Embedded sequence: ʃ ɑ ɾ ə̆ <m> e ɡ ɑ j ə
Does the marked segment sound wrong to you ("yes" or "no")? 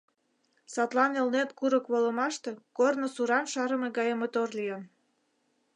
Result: no